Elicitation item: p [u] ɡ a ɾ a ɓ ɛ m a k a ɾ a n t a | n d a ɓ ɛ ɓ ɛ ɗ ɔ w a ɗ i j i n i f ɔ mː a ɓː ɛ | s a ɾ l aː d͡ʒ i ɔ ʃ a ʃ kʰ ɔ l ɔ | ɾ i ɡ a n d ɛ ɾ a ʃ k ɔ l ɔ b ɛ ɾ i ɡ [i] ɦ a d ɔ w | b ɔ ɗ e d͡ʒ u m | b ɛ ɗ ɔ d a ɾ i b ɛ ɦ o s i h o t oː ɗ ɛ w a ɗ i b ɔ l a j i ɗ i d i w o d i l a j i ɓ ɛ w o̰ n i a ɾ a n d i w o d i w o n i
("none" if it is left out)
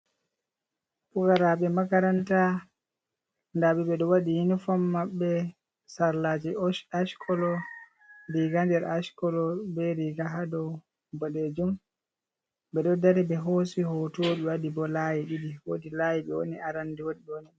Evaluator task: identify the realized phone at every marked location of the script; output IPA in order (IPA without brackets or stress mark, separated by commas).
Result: u, a